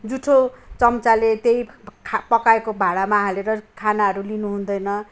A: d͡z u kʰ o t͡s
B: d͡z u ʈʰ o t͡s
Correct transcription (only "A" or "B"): B